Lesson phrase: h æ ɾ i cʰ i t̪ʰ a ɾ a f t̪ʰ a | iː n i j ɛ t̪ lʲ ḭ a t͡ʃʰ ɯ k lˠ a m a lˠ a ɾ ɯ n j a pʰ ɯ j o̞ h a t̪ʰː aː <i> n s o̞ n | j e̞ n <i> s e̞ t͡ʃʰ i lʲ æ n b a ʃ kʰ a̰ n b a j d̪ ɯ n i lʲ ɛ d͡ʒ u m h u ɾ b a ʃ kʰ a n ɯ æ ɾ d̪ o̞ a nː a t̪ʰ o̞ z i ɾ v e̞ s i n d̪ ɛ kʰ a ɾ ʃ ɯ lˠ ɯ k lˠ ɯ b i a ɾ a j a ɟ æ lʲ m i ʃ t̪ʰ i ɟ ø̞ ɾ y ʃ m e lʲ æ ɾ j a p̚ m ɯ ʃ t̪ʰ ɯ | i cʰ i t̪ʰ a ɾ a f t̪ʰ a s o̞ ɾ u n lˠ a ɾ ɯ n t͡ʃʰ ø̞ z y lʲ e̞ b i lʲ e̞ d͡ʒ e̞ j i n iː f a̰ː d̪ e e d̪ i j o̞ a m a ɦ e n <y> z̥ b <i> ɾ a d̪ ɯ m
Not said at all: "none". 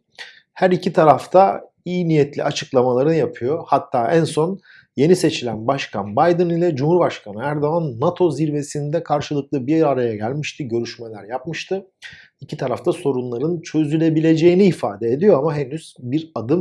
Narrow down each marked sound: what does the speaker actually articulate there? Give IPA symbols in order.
æ, i, y, i

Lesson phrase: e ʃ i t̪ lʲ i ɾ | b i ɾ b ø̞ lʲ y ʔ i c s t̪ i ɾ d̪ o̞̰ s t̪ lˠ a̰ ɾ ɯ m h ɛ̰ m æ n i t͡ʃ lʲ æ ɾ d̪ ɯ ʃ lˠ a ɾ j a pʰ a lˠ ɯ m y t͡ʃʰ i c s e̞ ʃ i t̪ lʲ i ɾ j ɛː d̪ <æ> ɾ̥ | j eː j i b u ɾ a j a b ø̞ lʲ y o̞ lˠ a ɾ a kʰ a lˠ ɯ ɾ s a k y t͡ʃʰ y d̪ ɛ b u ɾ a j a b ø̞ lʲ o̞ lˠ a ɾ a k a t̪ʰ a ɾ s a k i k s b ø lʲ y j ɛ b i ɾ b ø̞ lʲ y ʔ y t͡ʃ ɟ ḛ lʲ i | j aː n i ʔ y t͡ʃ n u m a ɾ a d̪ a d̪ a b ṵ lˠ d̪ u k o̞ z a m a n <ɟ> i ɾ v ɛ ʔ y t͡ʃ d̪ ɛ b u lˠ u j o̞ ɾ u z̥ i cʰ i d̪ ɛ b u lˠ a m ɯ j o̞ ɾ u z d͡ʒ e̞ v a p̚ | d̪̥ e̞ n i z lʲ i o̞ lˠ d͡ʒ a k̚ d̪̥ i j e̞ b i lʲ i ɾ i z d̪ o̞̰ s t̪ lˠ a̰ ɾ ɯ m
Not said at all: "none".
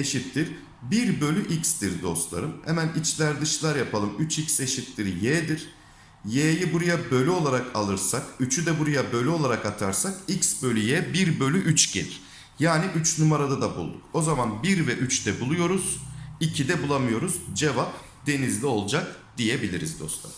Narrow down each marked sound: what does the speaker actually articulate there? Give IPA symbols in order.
i, b

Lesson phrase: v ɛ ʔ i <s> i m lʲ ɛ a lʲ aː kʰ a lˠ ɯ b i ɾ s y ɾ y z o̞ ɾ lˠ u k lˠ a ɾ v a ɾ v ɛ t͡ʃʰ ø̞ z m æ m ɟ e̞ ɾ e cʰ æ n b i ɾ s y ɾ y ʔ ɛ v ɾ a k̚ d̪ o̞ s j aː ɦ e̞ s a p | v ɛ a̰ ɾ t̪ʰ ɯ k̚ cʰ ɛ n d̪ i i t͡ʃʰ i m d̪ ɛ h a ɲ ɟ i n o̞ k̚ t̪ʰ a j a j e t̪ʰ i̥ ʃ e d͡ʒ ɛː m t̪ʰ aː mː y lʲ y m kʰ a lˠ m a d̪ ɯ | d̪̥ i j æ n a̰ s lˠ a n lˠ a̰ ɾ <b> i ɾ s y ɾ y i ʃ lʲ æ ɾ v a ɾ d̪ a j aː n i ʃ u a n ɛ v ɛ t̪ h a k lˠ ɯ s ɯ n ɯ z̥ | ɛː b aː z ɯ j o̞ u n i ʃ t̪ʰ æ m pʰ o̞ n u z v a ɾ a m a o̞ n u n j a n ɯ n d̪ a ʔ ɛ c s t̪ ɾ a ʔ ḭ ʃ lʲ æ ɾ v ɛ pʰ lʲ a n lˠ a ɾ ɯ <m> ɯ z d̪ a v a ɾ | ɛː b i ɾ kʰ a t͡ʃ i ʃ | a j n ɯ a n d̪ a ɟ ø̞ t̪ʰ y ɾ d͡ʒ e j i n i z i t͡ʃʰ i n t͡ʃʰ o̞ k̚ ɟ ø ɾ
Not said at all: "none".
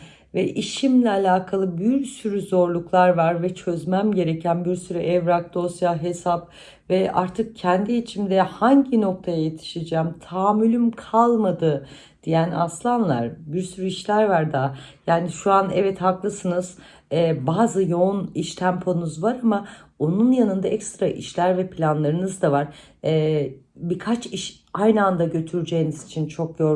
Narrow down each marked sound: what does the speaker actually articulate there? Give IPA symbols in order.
ʃ, b, n

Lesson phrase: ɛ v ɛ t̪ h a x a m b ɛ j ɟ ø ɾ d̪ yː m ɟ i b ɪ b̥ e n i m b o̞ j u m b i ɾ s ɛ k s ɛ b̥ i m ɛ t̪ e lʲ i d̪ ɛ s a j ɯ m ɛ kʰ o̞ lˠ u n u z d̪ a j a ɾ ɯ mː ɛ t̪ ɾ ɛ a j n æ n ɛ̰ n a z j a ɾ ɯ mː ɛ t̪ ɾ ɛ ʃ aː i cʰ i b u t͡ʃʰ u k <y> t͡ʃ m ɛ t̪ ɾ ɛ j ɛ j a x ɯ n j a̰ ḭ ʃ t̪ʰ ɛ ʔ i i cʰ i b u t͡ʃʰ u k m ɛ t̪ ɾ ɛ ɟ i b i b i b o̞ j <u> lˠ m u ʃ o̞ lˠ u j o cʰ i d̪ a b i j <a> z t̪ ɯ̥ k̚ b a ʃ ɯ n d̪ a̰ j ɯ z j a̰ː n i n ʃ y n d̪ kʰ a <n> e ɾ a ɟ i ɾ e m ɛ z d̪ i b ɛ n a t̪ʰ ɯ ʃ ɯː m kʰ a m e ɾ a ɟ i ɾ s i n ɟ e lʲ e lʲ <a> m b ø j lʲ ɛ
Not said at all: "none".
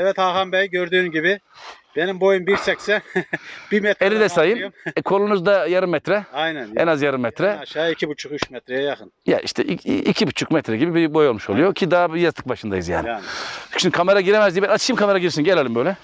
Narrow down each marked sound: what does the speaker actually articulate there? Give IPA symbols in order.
y, o, a, m, i

